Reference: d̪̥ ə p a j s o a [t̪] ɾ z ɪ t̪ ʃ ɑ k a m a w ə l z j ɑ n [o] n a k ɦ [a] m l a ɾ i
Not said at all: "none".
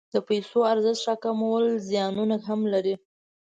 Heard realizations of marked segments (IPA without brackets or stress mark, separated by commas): none, u, a